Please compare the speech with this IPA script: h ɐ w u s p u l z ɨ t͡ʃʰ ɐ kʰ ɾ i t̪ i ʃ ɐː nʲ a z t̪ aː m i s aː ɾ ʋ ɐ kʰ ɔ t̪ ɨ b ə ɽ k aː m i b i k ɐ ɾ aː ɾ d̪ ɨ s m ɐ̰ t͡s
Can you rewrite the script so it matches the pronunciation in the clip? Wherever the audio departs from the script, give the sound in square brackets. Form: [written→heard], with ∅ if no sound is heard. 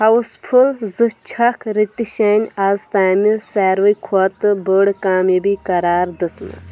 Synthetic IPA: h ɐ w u s [p→pʰ] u l z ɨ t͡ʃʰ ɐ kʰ ɾ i t̪ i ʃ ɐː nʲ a z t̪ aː m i s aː ɾ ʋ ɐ kʰ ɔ t̪ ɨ b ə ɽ k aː m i b i k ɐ ɾ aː ɾ d̪ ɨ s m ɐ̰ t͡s